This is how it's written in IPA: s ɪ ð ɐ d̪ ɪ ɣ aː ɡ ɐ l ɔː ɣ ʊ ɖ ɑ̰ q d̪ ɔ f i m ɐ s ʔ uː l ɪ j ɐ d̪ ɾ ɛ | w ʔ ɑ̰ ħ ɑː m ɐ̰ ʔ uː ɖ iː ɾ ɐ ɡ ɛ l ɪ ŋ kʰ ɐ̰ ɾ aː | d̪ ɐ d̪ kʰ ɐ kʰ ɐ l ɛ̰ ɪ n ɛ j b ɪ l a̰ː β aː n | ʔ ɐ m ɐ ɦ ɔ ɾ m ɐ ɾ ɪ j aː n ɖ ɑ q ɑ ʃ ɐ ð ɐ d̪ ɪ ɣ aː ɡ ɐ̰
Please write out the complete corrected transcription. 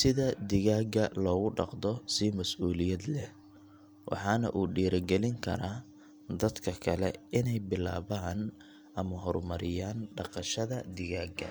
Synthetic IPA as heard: s ɪ ð ɐ d̪ ɪ ɣ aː ɡ ɐ l ɔː ɣ ʊ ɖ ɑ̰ q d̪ ɔ s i m ɐ s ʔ uː l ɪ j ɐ d̪ l ɛ | w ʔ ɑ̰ ħ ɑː n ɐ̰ ʔ uː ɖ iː ɾ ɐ ɡ ɛ l ɪ ŋ kʰ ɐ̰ ɾ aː | d̪ ɐ d̪ kʰ ɐ kʰ ɐ l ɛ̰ ɪ n ɛ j b ɪ l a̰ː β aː n | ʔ ɐ m ɐ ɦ ɔ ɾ m ɐ ɾ ɪ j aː n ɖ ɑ q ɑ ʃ ɐ ð ɐ d̪ ɪ ɣ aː ɡ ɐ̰